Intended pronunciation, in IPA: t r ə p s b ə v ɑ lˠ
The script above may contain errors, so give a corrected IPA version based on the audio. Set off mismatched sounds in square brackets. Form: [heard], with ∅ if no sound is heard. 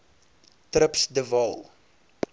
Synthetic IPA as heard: t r ə p s [d] ə v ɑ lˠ